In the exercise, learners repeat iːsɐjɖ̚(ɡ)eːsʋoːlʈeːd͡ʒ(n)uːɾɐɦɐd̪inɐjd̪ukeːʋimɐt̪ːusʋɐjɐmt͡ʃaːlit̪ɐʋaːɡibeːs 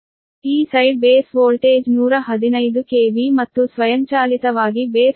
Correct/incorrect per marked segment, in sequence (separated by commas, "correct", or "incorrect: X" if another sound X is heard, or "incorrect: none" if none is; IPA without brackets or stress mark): incorrect: b, correct